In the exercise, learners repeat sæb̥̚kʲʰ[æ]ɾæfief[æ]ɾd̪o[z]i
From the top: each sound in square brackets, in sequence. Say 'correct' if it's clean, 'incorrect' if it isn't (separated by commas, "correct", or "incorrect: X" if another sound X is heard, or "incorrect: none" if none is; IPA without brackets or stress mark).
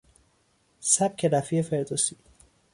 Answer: incorrect: e, incorrect: e, incorrect: s